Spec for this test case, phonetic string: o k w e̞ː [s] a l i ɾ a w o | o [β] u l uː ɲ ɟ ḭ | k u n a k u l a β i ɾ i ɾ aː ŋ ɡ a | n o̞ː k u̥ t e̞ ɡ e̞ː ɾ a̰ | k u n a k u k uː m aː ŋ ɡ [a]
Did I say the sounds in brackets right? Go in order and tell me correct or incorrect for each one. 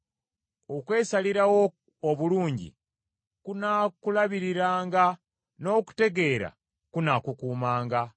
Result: correct, correct, correct

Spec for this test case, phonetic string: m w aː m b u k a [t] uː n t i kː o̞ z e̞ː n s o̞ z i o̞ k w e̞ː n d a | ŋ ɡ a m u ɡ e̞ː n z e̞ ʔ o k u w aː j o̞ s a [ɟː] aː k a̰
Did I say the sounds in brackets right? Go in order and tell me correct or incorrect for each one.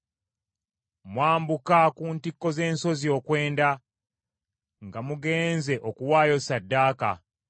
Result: incorrect: k, incorrect: dː

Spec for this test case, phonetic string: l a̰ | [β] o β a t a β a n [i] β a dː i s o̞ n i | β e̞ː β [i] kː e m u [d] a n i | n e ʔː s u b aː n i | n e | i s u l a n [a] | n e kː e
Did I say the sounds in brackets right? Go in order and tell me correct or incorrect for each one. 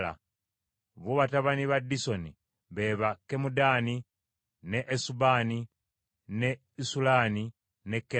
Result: correct, correct, incorrect: a, correct, incorrect: i

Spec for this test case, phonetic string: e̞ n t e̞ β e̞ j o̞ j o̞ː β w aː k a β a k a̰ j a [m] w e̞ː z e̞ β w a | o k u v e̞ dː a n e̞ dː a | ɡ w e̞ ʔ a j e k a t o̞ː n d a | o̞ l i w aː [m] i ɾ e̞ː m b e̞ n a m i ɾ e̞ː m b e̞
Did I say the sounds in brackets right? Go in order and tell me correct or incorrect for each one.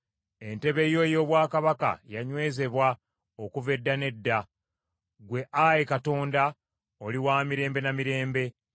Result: incorrect: ɲ, correct

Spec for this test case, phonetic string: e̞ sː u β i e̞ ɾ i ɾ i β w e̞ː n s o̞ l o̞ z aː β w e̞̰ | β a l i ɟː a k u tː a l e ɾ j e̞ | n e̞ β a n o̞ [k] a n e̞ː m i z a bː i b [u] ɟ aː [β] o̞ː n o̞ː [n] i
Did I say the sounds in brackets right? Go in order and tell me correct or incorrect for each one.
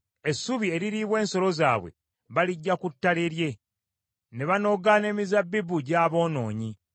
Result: incorrect: ɡ, correct, correct, incorrect: ɲ

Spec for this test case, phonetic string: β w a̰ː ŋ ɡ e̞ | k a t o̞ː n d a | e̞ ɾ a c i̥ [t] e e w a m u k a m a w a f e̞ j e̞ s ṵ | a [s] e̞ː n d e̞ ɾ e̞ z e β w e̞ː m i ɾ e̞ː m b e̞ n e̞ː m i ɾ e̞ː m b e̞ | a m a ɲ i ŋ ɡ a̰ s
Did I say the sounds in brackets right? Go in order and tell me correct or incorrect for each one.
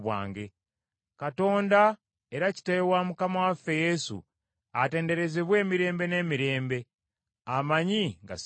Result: correct, incorrect: t

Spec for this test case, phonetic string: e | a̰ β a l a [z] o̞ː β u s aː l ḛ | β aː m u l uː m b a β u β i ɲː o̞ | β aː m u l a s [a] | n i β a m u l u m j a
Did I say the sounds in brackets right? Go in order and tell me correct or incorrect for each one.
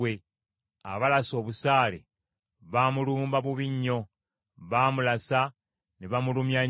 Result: incorrect: s, correct

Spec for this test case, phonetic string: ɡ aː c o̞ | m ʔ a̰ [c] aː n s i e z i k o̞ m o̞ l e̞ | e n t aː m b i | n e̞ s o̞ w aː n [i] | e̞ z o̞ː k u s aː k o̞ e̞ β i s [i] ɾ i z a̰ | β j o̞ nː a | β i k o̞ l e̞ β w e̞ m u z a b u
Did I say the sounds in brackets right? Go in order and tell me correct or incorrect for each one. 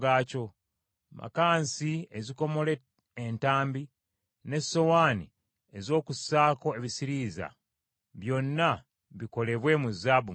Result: incorrect: k, correct, correct

